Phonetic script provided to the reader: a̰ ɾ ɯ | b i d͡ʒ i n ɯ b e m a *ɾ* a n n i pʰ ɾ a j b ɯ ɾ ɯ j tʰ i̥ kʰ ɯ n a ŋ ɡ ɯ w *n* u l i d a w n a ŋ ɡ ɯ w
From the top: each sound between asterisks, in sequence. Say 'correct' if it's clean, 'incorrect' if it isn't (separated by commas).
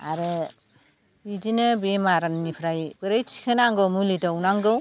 correct, incorrect